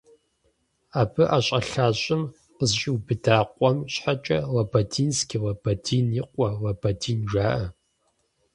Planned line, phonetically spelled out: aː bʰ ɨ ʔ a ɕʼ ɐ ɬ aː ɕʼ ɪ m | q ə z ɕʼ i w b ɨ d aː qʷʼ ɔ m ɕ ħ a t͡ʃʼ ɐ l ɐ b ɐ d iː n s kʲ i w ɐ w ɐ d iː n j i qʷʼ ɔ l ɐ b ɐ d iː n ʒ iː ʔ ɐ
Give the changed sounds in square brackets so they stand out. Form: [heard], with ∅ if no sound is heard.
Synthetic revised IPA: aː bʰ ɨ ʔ a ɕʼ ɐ ɬ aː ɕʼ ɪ m | q ə z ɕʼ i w b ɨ d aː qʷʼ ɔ m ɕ ħ a t͡ʃʼ ɐ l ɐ b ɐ d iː n s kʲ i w ɐ [b] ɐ d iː n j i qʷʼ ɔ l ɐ b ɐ d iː n ʒ [aː] ʔ ɐ